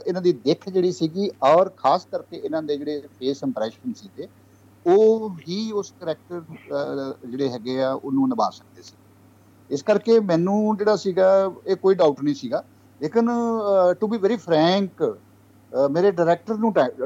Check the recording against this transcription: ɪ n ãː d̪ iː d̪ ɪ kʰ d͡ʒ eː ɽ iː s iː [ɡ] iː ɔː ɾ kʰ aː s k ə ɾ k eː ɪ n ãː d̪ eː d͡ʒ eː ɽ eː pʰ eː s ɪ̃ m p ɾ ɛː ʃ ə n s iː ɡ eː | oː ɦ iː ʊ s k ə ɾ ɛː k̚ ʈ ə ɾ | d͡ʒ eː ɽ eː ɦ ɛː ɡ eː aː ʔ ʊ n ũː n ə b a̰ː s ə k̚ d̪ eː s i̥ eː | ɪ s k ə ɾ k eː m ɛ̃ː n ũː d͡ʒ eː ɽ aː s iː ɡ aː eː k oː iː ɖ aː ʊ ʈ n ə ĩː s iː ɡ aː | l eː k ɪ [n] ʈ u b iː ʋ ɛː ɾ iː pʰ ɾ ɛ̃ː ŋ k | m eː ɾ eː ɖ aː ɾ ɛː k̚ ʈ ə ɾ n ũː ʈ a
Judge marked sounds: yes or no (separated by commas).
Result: yes, yes